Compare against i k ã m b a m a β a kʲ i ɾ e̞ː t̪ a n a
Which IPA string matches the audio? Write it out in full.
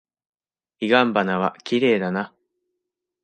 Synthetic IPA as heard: i ɡ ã m b a n a β a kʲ i ɾ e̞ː d̪ a n a